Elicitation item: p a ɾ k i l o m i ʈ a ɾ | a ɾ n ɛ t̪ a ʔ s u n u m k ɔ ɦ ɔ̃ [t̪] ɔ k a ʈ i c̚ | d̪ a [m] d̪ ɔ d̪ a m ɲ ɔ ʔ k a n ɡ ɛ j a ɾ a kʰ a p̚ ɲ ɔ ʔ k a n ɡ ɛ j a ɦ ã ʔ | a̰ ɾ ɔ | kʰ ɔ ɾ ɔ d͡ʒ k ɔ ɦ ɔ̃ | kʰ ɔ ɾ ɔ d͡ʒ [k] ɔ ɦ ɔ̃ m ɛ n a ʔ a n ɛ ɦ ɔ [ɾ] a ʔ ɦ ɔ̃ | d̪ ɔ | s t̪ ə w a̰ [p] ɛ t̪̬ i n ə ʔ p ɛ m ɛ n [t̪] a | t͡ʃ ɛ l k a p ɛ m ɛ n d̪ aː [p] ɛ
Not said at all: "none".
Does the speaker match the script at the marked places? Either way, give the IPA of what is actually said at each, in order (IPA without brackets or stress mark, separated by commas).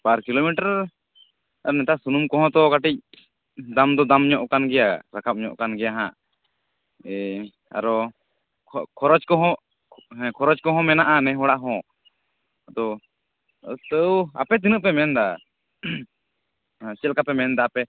t̪, m, k, ɽ, p, d̪, p